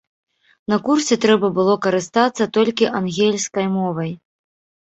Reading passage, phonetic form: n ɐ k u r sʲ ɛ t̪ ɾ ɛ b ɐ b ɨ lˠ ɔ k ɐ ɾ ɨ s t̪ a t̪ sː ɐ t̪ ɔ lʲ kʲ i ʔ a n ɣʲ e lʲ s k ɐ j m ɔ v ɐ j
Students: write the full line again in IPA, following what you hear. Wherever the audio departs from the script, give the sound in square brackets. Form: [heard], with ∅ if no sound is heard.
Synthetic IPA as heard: n ɐ k u r sʲ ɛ t̪ ɾ ɛ b ɐ b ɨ lˠ ɔ k ɐ ɾ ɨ s t̪ a t̪ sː ɐ t̪ ɔ lʲ kʲ i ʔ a n ɣʲ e lʲ s k ɐ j m ɔ v ɐ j